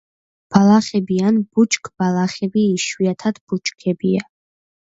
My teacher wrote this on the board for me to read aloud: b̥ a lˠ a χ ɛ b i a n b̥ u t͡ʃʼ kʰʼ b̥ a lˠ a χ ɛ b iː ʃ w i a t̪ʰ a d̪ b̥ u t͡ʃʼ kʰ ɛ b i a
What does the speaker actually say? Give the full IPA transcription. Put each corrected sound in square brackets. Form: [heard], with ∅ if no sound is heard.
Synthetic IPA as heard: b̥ a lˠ a χ ɛ b i a n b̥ u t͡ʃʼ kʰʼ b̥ a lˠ a χ ɛ b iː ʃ w i a t̪ʰ a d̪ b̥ u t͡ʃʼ kʰ ɛ b i a